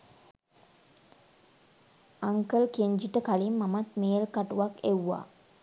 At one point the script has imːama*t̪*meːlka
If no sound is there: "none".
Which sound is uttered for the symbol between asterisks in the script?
t̪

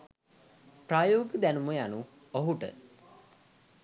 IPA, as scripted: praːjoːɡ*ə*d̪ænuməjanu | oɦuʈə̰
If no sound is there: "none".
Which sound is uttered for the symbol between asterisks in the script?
ə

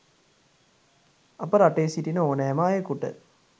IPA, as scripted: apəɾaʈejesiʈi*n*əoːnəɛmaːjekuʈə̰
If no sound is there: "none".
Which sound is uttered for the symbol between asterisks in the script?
n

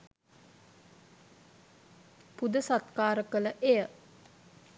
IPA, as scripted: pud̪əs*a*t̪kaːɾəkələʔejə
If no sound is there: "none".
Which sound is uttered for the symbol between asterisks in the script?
a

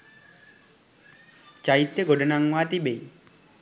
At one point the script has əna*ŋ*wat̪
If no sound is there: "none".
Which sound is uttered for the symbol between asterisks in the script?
ŋ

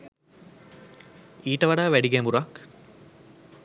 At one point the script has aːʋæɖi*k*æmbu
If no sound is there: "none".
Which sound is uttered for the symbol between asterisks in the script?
ɡ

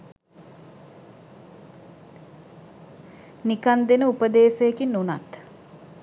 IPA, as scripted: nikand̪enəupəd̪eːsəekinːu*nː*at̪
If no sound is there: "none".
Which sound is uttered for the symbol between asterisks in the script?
n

